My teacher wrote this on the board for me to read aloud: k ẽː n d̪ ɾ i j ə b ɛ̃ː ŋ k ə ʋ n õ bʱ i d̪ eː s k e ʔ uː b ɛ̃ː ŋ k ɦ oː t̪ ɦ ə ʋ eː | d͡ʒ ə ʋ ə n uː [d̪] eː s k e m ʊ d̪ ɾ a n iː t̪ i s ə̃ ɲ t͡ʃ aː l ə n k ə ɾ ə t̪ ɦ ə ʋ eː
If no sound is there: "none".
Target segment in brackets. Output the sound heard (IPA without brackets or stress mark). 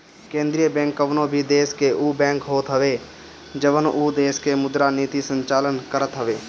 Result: d̪